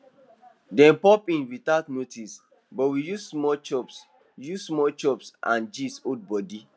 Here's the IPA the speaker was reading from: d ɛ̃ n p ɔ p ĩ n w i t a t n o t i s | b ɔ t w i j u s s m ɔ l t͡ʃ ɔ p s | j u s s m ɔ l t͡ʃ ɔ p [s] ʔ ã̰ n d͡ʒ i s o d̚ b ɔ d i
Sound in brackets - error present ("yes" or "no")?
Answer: no